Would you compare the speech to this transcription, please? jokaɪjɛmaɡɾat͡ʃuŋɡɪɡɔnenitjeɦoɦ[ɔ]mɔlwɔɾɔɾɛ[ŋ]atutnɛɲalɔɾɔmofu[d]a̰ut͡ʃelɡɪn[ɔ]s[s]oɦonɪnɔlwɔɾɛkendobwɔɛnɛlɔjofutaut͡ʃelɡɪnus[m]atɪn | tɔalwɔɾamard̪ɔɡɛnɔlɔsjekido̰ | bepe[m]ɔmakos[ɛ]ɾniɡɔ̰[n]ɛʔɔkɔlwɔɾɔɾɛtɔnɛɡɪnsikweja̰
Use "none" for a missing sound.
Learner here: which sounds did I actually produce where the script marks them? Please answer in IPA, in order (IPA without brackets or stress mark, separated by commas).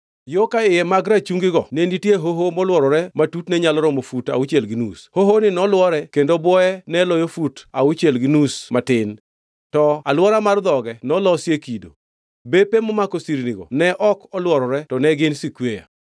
o, m, t, u, h, m, m, i, n